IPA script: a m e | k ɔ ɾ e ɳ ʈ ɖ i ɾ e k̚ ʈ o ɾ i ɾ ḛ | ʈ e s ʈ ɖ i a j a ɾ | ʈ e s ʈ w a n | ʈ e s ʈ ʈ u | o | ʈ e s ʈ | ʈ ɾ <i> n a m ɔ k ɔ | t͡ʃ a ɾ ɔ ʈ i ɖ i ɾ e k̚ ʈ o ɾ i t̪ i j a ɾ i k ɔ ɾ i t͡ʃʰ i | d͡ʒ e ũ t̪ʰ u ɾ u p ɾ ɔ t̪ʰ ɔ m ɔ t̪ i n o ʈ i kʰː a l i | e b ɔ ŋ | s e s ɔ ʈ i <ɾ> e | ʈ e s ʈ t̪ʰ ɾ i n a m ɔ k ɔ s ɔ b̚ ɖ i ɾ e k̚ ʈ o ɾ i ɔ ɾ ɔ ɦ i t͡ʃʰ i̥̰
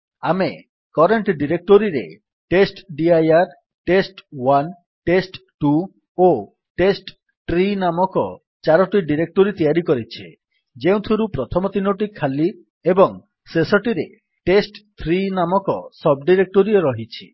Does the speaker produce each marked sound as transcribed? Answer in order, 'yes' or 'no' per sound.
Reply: yes, yes

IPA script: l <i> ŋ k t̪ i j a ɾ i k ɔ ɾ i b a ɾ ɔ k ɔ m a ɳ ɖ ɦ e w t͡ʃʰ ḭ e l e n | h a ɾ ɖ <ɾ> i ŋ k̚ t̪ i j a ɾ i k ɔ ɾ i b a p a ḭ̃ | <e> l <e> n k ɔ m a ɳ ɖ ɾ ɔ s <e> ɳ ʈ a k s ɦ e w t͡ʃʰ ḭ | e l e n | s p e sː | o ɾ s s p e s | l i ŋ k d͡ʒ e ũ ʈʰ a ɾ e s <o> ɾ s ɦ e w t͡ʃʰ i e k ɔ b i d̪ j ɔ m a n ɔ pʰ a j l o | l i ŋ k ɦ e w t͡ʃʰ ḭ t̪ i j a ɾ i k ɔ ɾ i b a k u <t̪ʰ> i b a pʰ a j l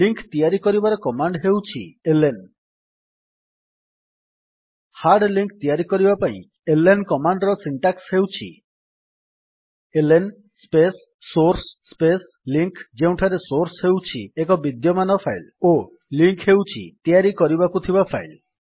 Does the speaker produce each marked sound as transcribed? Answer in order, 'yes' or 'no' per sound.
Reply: yes, no, yes, yes, no, yes, yes

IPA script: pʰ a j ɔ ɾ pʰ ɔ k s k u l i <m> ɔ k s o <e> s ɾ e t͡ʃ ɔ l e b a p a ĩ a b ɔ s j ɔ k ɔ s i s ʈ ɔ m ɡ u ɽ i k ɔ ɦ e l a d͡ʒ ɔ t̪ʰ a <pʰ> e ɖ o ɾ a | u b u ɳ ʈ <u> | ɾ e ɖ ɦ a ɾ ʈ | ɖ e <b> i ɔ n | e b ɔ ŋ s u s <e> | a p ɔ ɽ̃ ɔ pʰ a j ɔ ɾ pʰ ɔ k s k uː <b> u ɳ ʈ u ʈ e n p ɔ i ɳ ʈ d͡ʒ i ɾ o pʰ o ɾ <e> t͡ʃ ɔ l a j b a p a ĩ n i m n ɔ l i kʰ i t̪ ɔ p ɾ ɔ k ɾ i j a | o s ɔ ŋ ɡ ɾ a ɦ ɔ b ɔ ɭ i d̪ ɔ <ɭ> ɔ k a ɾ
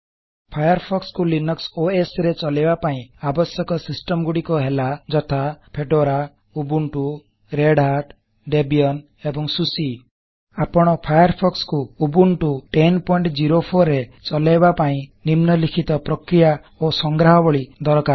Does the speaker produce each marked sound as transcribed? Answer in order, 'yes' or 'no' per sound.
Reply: no, yes, yes, yes, yes, no, yes, yes, no

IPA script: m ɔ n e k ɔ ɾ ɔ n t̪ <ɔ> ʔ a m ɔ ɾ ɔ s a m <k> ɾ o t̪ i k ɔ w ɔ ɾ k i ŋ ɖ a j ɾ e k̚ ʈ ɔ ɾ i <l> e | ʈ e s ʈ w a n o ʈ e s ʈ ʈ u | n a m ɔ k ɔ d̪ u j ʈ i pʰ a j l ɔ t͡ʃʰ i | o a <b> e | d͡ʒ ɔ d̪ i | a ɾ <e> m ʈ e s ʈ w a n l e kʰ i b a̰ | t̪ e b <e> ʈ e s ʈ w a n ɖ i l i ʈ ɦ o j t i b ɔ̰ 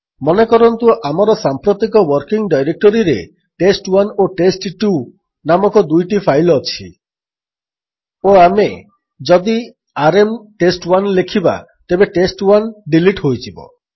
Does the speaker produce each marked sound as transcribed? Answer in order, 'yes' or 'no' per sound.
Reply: no, no, no, no, yes, yes

